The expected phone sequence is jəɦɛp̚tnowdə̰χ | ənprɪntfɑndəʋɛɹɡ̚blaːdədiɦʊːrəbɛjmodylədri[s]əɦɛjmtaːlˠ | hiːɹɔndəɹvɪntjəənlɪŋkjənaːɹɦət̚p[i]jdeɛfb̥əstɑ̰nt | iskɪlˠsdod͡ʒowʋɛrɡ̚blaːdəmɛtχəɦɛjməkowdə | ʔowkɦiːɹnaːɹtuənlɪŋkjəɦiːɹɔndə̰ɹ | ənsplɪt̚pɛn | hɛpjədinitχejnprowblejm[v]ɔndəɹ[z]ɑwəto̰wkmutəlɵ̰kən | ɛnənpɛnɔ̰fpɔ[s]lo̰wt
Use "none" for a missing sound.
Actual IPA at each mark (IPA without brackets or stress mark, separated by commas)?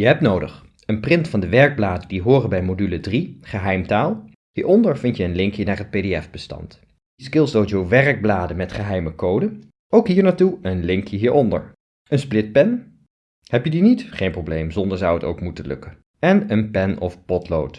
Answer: χ, e, z, z, t